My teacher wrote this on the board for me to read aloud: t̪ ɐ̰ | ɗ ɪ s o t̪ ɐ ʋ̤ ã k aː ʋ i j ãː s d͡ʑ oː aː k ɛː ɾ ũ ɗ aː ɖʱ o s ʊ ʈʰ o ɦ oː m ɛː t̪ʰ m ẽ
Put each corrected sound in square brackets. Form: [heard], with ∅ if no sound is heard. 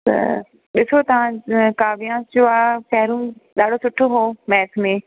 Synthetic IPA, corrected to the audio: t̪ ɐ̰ | ɗ ɪ s o t̪ ɐ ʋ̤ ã k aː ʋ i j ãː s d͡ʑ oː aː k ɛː ɾ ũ ɗ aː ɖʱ o s ʊ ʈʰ o ɦ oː m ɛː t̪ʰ m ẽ